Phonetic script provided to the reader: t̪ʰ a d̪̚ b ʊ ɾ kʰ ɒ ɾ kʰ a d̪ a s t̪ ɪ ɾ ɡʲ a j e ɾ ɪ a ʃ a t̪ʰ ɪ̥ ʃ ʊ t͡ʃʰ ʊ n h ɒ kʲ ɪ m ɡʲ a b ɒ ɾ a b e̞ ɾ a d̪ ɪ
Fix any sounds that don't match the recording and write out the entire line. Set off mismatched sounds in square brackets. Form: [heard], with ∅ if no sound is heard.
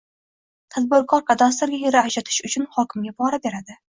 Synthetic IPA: t̪ʰ a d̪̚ b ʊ ɾ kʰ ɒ ɾ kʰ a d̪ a s t̪ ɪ ɾ ɡʲ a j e ɾ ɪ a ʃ a t̪ʰ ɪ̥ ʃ ʊ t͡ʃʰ ʊ n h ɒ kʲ ɪ m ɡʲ a b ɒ ɾ a b e̞ ɾ a d̪ ɪ

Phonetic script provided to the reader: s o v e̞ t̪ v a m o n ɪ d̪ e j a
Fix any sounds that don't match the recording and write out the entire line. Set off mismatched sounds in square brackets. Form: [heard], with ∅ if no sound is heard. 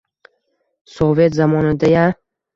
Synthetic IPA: s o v e̞ t̪ [z] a m [ɒ] n ɪ d̪ [a] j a

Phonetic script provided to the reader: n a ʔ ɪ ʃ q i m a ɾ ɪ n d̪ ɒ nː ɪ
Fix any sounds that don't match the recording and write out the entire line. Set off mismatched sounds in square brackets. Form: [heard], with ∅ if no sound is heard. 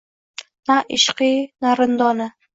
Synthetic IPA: n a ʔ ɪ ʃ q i [n] a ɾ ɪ n d̪ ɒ [n] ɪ

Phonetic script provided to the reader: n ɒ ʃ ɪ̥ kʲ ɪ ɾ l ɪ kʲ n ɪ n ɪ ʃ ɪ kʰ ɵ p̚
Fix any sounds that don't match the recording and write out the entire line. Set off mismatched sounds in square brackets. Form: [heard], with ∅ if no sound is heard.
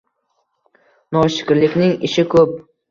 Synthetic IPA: n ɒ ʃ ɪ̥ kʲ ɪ ɾ l ɪ kʲ n ɪ [ŋ] ɪ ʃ ɪ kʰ ɵ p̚

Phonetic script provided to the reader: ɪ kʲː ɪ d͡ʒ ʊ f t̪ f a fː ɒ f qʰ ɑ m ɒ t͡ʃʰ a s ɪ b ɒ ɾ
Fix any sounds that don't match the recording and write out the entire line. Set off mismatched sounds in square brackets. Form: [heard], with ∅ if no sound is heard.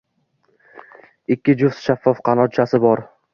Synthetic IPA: ɪ kʲː ɪ d͡ʒ ʊ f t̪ [ʃ] a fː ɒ f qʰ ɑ [n] ɒ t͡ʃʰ a s ɪ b ɒ ɾ

